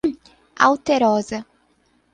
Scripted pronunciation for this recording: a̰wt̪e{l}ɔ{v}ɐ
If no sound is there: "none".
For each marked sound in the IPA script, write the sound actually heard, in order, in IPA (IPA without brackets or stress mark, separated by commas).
ɾ, z